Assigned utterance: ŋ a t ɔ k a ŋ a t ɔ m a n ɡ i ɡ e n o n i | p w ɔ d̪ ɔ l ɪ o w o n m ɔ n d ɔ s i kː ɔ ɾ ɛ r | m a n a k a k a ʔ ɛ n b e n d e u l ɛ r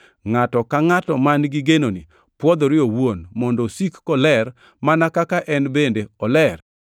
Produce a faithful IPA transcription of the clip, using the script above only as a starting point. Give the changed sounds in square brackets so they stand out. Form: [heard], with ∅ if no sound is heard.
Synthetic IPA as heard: ŋ a t ɔ k a ŋ a t ɔ m a n ɡ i ɡ e n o n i | p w ɔ d̪ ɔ [ɾ] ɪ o w o n m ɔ n d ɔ s i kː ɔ [l] ɛ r | m a n a k a k a ʔ ɛ n b e n d e [ɔ] l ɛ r

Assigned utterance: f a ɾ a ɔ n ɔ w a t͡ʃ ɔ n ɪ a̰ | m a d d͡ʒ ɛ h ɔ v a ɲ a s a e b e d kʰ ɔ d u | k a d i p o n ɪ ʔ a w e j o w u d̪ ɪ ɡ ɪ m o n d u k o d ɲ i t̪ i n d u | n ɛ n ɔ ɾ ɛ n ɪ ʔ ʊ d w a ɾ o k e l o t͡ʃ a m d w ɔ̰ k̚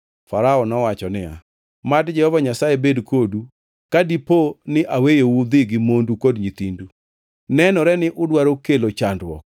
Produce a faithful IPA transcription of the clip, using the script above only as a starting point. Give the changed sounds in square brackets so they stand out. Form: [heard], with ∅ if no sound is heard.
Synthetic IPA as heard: f a ɾ a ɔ n ɔ w a t͡ʃ ɔ n ɪ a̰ | m a d d͡ʒ ɛ h ɔ v a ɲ a s a e b e d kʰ [o] d u | k a d i p o n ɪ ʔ a w e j o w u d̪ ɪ ɡ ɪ m o n d u k o d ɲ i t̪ i n d u | n ɛ n ɔ ɾ ɛ n ɪ ʔ ʊ d w a ɾ o k e l o t͡ʃ a [n] d w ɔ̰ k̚

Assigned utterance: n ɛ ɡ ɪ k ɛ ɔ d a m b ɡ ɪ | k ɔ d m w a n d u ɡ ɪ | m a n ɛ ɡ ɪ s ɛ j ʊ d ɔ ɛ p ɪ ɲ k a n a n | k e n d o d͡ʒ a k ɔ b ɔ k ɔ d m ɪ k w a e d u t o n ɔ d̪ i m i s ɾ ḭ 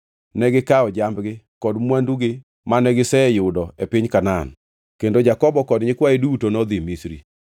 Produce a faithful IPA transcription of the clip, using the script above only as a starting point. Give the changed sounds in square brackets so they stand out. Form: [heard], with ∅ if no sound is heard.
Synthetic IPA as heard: n ɛ ɡ ɪ k [a] ɔ [d͡ʒ] a m b ɡ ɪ | k ɔ d m w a n d u ɡ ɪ | m a n ɛ ɡ ɪ s ɛ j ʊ d ɔ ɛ p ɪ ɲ k a n a n | k e n d o d͡ʒ a k ɔ b ɔ k ɔ d [ɲ] ɪ k w a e d u t o n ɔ d̪ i m i s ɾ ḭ

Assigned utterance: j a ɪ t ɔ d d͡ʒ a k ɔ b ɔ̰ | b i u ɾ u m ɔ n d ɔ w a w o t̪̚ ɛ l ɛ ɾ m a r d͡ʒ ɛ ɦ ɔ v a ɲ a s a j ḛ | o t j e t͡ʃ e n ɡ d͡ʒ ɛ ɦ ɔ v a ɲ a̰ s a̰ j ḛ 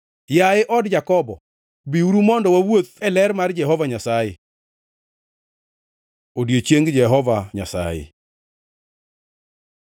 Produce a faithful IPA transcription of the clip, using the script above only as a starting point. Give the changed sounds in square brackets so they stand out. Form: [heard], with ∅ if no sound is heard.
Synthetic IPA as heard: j a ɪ [ʔ] ɔ d d͡ʒ a k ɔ b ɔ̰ | b i u ɾ u m ɔ n d ɔ w a w o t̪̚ ɛ l ɛ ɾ m a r d͡ʒ ɛ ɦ ɔ v a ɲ a s a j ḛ | o [d] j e t͡ʃ e [ŋ] ɡ d͡ʒ ɛ ɦ ɔ v a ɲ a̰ s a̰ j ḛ

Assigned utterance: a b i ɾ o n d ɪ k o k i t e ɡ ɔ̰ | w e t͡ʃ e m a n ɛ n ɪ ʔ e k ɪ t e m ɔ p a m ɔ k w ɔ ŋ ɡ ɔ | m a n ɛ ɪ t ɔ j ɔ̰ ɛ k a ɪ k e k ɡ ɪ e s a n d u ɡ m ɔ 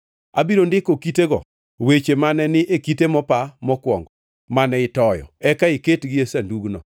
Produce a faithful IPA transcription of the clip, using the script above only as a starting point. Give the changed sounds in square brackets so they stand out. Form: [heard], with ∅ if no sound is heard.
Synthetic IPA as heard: a b i ɾ o n d ɪ k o k i t e ɡ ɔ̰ | w e t͡ʃ e m a n ɛ n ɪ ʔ e k [i] t e m ɔ p a m ɔ k w ɔ ŋ ɡ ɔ | m a n ɛ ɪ t ɔ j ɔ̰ ɛ k a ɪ k e [t] ɡ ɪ e s a n d u ɡ [n] ɔ

